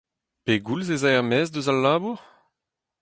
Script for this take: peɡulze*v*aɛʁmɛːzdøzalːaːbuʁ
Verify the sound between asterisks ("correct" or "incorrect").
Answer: incorrect